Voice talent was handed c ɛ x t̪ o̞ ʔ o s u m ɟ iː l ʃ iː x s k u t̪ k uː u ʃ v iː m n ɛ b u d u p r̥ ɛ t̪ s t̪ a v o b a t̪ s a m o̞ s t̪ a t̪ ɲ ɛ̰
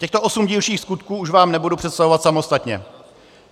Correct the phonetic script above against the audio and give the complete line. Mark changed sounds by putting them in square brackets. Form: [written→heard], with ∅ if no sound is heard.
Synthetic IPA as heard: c ɛ x t̪ o̞ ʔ o s u m ɟ iː l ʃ iː x s k u t̪ k uː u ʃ v [iː→aː] m n ɛ b u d u p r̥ ɛ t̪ s t̪ a v o [b→v] a t̪ s a m o̞ s t̪ a t̪ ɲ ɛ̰